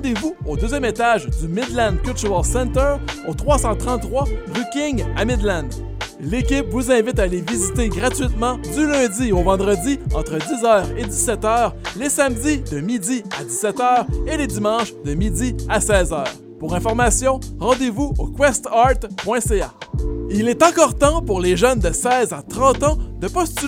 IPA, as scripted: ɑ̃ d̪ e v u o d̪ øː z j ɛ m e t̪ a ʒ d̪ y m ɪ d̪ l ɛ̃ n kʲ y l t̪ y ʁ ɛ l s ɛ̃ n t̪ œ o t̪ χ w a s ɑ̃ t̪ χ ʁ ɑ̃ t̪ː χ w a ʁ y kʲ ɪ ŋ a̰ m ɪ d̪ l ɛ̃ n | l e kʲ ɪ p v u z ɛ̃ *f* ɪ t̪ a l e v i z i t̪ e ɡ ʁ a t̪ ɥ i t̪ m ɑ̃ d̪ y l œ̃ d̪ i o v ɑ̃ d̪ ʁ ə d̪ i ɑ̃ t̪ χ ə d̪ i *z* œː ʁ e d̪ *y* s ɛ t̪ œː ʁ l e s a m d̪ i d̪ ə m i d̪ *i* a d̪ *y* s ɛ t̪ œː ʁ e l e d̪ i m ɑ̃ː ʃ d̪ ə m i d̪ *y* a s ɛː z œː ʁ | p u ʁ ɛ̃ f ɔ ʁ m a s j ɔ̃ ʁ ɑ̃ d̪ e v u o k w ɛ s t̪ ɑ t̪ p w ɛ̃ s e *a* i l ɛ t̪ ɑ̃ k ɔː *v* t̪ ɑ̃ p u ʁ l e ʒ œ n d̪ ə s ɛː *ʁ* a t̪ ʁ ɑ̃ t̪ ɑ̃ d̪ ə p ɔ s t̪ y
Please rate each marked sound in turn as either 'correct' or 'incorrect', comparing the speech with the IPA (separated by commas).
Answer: incorrect, correct, incorrect, correct, incorrect, incorrect, correct, incorrect, incorrect